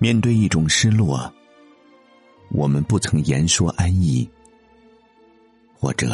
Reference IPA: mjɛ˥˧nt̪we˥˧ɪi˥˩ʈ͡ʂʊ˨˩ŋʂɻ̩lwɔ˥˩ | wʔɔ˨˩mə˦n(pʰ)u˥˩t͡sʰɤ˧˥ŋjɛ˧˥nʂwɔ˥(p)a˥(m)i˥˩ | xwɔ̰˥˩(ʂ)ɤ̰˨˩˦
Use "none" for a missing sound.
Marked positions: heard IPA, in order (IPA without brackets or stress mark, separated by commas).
p, ʔ, n, ʈ͡ʂ